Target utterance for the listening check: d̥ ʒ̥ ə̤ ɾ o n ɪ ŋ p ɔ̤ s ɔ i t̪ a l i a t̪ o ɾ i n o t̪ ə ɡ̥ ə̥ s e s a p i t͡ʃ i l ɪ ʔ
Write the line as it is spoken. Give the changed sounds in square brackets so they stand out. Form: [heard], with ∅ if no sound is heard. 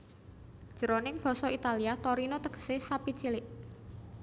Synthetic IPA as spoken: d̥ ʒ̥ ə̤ ɾ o n ɪ ŋ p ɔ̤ s ɔ i t̪ a l i a t̪ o ɾ i n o t̪ ə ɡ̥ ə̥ s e s a p i t͡ʃ i l ɪ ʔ